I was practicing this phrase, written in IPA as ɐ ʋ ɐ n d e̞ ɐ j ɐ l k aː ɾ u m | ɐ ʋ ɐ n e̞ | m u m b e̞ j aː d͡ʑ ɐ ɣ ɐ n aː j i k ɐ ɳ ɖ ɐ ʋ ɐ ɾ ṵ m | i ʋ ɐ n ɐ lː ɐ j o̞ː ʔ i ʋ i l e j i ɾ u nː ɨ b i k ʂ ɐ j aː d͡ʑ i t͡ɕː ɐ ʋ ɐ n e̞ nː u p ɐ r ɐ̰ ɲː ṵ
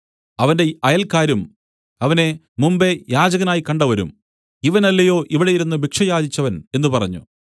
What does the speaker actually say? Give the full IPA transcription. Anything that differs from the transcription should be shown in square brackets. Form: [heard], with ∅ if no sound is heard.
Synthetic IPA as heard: ɐ ʋ ɐ n d e̞ ɐ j ɐ l k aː ɾ u m | ɐ ʋ ɐ n e̞ | m u m b e̞ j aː d͡ʑ ɐ ɣ ɐ n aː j i k ɐ ɳ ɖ ɐ ʋ ɐ ɾ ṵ m | i ʋ ɐ n ɐ lː ɐ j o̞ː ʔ i ʋ i [ɽ] e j i ɾ u nː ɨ b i k ʂ ɐ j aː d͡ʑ i t͡ɕː ɐ ʋ ɐ n e̞ nː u p ɐ r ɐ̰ ɲː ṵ